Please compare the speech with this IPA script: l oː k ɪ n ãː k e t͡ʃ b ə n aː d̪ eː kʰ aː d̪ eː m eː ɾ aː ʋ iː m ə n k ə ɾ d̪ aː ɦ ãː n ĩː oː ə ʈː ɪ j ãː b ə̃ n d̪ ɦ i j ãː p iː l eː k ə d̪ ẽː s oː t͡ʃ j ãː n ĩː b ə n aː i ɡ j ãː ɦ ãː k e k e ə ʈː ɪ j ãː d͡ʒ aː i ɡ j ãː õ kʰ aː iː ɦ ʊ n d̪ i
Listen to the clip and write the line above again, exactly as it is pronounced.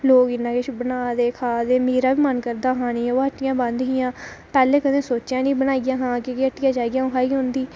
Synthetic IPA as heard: l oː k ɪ n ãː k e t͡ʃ b ə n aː d̪ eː kʰ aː d̪ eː m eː ɾ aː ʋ iː m ə n k ə ɾ d̪ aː ɦ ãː n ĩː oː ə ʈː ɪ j ãː b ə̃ n d̪ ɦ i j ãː p ɛː l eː k ə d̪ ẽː s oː t͡ʃ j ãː n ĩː b ə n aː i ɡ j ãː ɦ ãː k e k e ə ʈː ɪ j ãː d͡ʒ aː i ɡ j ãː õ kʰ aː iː ɦ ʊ n d̪ iː

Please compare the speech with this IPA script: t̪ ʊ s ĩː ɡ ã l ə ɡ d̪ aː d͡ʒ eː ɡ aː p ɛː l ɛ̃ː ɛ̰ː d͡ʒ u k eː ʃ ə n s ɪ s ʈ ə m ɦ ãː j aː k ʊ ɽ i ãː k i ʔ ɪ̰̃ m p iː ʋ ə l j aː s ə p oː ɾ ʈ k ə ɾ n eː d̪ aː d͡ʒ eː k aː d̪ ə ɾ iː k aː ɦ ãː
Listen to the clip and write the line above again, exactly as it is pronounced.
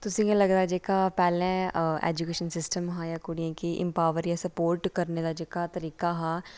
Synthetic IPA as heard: t̪ ʊ s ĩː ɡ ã l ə ɡ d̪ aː d͡ʒ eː k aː p ɛː l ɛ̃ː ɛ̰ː d͡ʒ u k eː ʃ ə n s ɪ s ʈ ə m ɦ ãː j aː k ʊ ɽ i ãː k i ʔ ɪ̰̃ m p aː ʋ ə ɾ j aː s ə p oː ɾ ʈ k ə ɾ n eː d̪ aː d͡ʒ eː k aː t̪ ə ɾ iː k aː ɦ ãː

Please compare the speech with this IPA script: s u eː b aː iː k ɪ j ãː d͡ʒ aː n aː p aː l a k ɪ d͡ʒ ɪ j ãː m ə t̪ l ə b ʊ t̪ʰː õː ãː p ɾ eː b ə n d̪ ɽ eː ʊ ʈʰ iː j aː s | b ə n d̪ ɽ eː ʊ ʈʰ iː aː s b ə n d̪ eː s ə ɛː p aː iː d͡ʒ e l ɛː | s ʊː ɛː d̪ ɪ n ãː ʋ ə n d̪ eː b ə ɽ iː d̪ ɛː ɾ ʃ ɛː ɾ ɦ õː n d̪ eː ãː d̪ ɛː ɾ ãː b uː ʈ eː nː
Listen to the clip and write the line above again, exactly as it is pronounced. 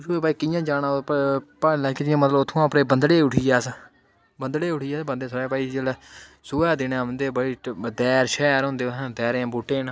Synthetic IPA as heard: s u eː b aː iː k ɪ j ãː d͡ʒ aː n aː p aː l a k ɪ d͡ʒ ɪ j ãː m ə t̪ l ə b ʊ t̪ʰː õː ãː p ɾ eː b ə n d̪ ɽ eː ʊ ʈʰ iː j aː s | b ə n d̪ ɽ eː ʊ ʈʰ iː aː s b ə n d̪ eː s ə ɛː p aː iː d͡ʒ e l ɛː | s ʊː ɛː d̪ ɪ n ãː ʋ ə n d̪ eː b ə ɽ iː d̪ ɛː ɾ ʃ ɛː ɾ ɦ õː n d̪ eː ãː d̪ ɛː ɾ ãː b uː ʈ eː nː

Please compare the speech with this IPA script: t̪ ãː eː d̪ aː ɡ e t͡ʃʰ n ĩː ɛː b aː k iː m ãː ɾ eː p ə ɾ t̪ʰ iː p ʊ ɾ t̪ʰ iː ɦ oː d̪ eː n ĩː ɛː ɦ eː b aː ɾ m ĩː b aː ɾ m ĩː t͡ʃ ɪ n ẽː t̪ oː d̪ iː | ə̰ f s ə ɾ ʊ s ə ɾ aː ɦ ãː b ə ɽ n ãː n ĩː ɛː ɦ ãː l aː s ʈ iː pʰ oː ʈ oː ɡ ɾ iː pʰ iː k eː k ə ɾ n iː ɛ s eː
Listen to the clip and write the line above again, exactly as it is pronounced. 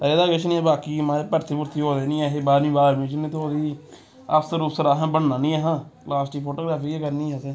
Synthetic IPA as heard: t̪ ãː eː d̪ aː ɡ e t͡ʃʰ n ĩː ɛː b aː k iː m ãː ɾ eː p ə ɾ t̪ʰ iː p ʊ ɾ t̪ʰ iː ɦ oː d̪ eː n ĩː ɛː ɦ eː b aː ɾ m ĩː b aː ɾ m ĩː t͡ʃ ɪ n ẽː t̪ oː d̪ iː | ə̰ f s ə ɾ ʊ s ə ɾ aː ɦ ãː b ə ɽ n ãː n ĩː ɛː ɦ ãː l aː s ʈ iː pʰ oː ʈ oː ɡ ɾ aː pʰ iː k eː k ə ɾ n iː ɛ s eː

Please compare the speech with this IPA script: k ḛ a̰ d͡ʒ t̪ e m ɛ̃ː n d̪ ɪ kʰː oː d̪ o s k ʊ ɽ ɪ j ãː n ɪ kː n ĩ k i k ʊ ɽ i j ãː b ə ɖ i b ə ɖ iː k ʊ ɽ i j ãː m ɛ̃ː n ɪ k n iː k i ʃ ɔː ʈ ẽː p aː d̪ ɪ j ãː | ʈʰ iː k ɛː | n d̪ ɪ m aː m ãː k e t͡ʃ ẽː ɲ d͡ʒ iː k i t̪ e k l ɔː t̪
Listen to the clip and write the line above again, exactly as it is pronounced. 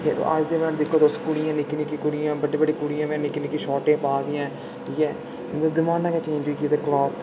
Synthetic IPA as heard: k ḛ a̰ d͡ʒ d̪ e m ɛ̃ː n d̪ ɪ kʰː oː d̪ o s k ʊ ɽ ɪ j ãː n ɪ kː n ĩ k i k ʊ ɽ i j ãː b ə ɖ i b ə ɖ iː k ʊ ɽ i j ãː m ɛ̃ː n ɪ k n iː k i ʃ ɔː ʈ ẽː p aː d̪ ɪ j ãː | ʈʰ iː k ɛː | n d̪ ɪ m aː n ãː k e t͡ʃ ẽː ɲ d͡ʒ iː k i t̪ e k l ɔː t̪

